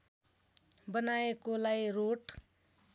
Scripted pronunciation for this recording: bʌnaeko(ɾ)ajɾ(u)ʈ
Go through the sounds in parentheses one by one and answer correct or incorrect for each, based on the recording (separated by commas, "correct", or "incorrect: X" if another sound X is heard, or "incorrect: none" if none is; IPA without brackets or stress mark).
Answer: incorrect: l, incorrect: o